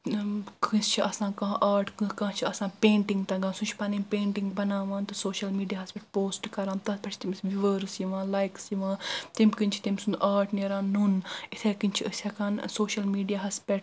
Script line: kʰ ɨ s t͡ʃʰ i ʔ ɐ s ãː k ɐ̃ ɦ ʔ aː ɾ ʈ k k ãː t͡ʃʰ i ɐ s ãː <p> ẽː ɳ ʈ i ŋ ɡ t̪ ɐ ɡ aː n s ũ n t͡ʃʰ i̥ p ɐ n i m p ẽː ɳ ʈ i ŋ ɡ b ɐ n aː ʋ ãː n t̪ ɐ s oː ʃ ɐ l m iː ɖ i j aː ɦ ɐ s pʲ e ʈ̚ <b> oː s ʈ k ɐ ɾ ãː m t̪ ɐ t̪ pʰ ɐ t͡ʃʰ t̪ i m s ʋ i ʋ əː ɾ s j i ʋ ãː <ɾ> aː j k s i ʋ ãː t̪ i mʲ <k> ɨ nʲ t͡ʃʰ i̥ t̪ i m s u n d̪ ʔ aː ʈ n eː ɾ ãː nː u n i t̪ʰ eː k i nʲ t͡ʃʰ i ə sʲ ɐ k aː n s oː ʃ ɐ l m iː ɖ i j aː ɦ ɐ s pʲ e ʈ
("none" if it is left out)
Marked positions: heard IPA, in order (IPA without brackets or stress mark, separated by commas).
p, p, l, k